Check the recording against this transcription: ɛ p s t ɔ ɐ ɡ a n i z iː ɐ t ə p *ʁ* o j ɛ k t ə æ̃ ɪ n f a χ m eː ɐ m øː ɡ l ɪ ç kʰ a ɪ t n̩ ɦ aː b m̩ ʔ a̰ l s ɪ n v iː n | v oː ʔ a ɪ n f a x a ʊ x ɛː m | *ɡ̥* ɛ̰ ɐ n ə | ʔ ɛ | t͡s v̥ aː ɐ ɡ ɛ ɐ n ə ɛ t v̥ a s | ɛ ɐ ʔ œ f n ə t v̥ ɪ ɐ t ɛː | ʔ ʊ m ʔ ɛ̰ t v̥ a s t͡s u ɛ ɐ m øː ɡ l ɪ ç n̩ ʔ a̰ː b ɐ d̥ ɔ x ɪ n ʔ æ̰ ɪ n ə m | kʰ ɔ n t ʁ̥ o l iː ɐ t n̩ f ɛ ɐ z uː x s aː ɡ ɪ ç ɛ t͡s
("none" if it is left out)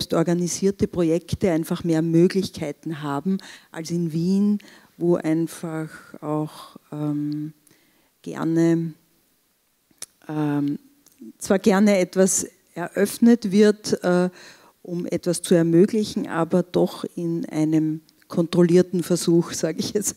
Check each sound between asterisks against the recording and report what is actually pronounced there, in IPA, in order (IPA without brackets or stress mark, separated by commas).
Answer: ʁ, ɡ̥